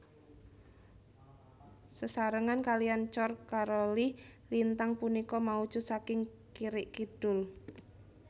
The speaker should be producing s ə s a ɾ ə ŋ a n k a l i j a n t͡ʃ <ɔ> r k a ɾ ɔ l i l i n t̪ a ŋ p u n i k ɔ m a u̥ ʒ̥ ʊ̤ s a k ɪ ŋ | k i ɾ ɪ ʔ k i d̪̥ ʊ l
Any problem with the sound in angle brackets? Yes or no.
no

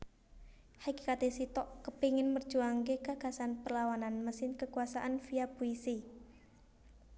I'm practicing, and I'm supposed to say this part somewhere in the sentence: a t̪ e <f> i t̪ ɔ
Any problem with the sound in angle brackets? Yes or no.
yes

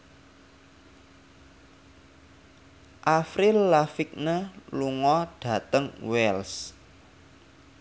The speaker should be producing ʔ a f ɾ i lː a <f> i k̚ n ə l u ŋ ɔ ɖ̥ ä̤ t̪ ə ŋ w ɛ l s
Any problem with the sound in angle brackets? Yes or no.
no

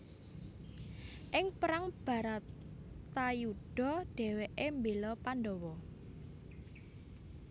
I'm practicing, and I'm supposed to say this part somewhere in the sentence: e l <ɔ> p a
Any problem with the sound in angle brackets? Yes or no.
no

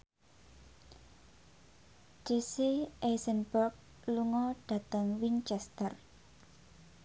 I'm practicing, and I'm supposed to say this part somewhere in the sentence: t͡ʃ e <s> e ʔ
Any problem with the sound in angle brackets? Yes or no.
no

